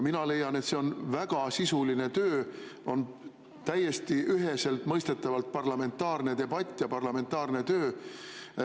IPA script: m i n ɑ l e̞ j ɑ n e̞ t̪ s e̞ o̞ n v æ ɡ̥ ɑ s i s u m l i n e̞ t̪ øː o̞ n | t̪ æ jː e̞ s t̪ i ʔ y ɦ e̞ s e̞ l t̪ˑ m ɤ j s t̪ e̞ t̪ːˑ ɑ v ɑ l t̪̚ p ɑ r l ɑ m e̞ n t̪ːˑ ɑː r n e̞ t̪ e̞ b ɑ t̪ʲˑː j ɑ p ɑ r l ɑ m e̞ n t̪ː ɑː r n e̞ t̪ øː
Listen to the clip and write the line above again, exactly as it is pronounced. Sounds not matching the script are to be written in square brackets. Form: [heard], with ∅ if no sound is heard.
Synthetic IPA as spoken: m i n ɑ l e̞ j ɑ n e̞ t̪ s e̞ o̞ n v æ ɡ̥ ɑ s i s u [∅] l i n e̞ t̪ øː o̞ n | t̪ æ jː e̞ s t̪ i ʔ y ɦ e̞ s e̞ l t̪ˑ m ɤ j s t̪ e̞ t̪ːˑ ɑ v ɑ l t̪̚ p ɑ r l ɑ m e̞ n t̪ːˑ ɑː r n e̞ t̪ e̞ b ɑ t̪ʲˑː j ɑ p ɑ r l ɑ m e̞ n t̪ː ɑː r n e̞ t̪ øː